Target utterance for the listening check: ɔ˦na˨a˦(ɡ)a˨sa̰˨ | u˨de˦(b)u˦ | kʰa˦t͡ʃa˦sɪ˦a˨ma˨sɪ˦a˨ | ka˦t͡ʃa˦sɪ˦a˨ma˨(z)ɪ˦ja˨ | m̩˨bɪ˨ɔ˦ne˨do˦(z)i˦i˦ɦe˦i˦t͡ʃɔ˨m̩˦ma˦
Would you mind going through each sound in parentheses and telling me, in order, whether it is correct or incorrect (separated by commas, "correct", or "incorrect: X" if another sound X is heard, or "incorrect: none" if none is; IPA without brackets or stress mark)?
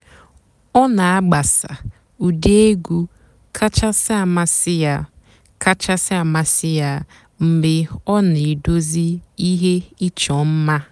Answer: incorrect: ɡ͡b, incorrect: ɡ, incorrect: s, correct